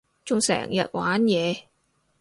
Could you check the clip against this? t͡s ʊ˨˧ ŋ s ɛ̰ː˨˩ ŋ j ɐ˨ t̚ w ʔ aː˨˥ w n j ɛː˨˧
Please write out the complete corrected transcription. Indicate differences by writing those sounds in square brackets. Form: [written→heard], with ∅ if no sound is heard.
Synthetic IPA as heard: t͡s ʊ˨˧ ŋ s ɛ̰ː˨˩ ŋ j ɐ˨ t̚ w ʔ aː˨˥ [w→∅] n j ɛː˨˧